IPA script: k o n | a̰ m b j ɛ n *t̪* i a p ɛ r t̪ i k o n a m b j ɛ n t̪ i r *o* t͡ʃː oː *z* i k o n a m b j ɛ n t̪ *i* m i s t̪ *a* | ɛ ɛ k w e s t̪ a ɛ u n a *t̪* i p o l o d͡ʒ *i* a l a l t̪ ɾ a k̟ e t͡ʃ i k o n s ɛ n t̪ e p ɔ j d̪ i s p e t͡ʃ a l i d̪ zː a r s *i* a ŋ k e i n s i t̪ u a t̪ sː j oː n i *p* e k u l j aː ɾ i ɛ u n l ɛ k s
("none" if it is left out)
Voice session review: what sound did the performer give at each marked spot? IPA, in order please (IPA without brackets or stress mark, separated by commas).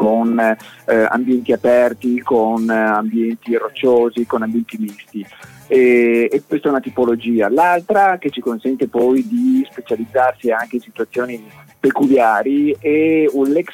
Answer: t̪, o, z, i, i, t̪, iː, i, p